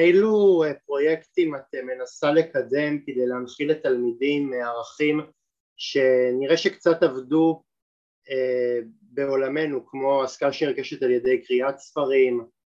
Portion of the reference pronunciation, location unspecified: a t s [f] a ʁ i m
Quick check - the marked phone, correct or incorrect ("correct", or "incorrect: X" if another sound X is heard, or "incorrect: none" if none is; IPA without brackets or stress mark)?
correct